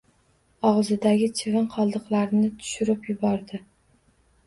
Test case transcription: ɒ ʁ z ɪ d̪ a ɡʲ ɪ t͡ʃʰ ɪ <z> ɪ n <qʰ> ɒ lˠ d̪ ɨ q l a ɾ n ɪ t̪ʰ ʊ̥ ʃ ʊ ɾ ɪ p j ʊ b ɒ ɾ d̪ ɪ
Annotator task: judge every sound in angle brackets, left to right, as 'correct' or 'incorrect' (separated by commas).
incorrect, correct